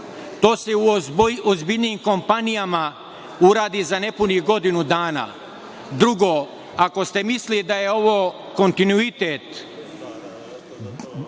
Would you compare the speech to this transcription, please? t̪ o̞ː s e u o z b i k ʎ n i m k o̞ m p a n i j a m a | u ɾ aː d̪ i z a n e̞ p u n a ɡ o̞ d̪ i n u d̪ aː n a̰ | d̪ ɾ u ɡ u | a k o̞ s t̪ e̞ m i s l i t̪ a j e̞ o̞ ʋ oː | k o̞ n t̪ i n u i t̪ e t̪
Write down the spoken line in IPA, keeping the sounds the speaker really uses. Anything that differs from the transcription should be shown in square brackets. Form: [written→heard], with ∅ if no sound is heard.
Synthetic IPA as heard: t̪ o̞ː s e u o z b i [k→∅] ʎ n i m k o̞ m p a n i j a m a | u ɾ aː d̪ i z a n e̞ p u n [a→i] ɡ o̞ d̪ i n u d̪ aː n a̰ | d̪ ɾ u ɡ [u→o] | a k o̞ s t̪ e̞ m i s l i [t̪→d̪] a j e̞ o̞ ʋ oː | k o̞ n t̪ i n u i t̪ e t̪